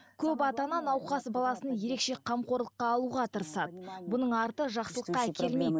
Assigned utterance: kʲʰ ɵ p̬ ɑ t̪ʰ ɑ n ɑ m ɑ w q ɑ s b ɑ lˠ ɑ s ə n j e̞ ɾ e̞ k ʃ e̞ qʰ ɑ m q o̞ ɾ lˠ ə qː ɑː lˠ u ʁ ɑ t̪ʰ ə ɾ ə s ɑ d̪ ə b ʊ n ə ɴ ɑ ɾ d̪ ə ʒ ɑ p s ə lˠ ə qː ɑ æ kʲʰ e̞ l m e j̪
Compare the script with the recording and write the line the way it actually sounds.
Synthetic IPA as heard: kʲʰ ɵ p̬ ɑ t̪ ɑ n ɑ n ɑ w q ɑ s b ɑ lˠ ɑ s ə n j e̞ ɾ e̞ k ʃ e̞ qʰ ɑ m q o̞ ɾ lˠ ə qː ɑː lˠ u ʁ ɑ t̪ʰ ə ɾ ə s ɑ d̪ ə b ʊ n ə ɴ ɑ ɾ t̪ ə ʒ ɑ q s ə lˠ ə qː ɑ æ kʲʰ e̞ l m e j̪